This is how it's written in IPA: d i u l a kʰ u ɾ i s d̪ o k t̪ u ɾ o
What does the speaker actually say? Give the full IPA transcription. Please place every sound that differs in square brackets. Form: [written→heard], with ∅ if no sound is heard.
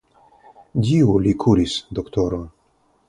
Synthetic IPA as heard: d i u l [a→i] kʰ u ɾ i s d̪ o k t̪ [u→o] ɾ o